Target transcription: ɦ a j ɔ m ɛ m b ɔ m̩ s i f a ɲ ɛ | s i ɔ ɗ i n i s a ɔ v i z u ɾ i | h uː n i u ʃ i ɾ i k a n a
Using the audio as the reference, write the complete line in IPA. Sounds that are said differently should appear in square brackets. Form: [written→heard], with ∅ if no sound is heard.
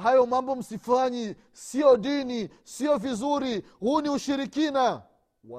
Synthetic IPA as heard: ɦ a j ɔ m [ɛ→a] m b ɔ m̩ s i f a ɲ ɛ | s i ɔ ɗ i n i s [a→i] ɔ v i z u ɾ i | h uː n i u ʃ i ɾ i k [a→i] n a